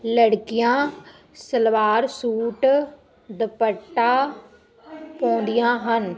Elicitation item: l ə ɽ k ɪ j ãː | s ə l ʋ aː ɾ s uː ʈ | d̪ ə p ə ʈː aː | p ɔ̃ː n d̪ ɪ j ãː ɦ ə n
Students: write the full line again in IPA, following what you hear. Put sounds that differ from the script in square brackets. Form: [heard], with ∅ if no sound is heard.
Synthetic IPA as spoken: l ə ɽ k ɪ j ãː | s ə l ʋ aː ɾ s uː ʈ | d̪ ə p ə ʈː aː | p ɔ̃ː n d̪ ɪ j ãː ɦ ə n